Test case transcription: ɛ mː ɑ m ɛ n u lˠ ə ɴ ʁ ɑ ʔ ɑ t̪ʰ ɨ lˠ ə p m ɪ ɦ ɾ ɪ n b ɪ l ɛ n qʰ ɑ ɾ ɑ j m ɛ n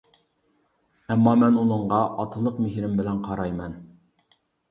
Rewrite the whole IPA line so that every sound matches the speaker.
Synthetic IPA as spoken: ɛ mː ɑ m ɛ n u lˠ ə ɴ ʁ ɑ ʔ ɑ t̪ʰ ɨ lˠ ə q m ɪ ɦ ɾ ɪ m b ɪ l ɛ n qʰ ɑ ɾ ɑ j m ɛ n